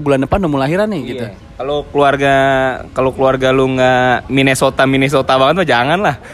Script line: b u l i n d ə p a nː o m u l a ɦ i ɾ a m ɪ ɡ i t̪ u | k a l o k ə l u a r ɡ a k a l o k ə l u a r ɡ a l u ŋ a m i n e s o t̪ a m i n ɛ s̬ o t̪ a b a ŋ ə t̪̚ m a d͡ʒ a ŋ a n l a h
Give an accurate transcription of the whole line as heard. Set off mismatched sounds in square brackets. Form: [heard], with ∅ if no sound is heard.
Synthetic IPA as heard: b u l [a] n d ə p a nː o m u l a ɦ i ɾ a [n] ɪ ɡ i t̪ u | k a l o k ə l u a r ɡ a k a l o k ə l u a r ɡ a l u ŋ a m i n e s o t̪ a m i n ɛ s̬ o t̪ a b a ŋ ə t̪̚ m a d͡ʒ a ŋ a n l a h